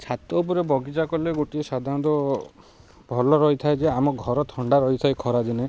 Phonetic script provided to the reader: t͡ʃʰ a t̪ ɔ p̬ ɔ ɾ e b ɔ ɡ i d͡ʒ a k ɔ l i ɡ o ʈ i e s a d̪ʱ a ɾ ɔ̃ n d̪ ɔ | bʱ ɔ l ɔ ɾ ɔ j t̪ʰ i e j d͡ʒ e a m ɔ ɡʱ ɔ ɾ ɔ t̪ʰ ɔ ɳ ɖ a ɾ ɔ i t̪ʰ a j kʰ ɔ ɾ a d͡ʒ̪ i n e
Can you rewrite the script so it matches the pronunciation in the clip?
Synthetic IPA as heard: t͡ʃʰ a t̪ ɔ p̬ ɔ ɾ e b ɔ ɡ i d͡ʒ a k ɔ l e ɡ o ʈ i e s a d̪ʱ a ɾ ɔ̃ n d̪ ɔ | bʱ ɔ l ɔ ɾ ɔ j t̪ʰ a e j d͡ʒ e a m ɔ ɡʱ ɔ ɾ ɔ t̪ʰ ɔ ɳ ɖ a ɾ ɔ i t̪ʰ a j kʰ ɔ ɾ a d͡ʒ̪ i n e